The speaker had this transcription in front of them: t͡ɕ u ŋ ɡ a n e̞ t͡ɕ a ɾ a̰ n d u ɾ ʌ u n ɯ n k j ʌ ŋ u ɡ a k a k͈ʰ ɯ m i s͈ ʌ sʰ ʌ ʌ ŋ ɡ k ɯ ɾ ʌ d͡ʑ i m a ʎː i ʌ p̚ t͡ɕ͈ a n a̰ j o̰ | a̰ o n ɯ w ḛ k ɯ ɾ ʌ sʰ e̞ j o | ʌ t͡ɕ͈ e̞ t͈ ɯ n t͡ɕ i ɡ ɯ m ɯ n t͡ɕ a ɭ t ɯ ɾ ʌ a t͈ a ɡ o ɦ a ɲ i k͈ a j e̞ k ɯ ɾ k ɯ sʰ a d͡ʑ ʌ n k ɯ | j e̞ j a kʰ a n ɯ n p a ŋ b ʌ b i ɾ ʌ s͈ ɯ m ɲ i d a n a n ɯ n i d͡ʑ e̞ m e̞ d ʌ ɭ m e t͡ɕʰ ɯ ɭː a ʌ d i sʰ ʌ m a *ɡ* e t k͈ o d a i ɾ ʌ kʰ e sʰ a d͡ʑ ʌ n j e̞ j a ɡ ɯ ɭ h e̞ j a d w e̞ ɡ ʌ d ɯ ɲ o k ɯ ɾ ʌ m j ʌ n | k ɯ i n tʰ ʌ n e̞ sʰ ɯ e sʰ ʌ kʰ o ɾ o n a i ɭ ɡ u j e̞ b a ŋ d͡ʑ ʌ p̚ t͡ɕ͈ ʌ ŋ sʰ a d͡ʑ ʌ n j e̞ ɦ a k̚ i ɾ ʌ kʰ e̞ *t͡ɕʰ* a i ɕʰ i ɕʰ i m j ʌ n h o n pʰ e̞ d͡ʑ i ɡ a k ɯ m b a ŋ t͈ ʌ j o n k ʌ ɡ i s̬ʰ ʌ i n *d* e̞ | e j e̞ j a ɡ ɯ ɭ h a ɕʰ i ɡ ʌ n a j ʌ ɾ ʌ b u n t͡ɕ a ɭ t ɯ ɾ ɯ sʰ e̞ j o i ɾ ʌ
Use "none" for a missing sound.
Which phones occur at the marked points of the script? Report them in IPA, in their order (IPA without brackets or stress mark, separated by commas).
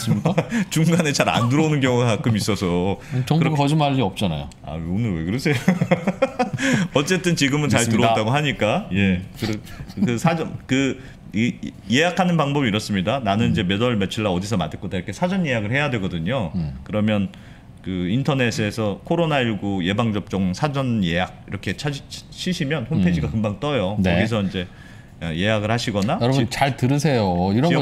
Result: d, t͡ɕʰ, d͡ʑ